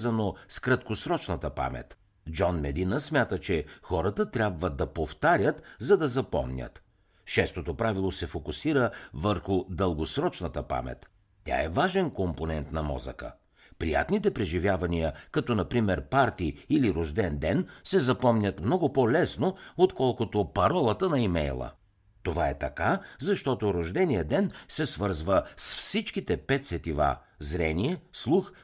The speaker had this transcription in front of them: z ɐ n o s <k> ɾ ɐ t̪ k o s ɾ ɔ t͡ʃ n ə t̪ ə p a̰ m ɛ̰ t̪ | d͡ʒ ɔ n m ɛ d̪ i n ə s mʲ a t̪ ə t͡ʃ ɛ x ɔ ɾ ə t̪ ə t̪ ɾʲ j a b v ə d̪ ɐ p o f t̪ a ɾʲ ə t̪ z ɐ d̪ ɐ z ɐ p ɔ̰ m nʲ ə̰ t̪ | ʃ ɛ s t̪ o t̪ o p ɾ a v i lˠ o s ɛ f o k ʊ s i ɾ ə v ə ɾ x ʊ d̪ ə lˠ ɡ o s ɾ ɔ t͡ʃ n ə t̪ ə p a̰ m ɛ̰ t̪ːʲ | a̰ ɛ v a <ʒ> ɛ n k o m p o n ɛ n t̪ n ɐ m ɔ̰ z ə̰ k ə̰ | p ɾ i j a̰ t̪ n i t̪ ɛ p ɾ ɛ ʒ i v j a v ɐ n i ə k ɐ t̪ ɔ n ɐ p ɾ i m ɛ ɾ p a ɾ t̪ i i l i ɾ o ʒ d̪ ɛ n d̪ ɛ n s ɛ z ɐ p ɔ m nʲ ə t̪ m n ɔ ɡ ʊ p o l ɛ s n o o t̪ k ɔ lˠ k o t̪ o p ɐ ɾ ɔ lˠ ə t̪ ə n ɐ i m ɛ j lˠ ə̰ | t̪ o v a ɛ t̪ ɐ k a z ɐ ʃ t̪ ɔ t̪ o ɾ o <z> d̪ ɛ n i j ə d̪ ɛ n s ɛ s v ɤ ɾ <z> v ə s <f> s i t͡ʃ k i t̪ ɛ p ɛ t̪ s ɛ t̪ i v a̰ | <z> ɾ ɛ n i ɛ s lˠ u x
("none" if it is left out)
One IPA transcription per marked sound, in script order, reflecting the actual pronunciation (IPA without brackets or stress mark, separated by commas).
k, ʒ, ʒ, z, f, z